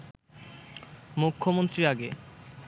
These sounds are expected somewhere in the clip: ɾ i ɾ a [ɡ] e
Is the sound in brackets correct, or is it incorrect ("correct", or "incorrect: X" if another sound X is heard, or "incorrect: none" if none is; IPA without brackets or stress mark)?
correct